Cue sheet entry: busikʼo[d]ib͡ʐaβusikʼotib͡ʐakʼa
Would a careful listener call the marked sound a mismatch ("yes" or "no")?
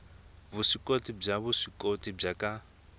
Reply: yes